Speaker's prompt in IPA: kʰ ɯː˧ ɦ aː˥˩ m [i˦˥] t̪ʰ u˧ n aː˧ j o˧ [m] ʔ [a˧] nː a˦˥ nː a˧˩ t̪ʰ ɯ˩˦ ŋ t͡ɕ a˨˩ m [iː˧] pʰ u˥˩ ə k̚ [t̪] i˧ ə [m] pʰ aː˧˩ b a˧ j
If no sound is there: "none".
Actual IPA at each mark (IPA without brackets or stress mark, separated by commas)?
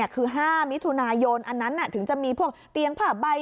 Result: i˦˥, n, a˧, iː˧, t̪, ŋ